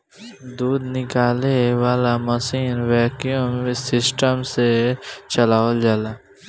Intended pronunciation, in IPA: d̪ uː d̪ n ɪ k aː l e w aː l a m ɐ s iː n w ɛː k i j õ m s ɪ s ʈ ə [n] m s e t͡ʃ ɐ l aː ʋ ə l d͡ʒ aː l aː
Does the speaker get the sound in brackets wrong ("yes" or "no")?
yes